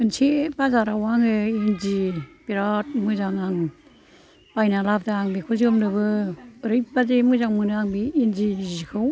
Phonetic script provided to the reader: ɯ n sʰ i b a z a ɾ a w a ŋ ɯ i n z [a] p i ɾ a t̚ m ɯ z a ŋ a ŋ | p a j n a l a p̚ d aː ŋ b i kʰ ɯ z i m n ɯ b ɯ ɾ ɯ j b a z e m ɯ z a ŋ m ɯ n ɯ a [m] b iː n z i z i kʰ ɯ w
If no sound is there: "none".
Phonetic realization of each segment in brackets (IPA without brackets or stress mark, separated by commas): i, ŋ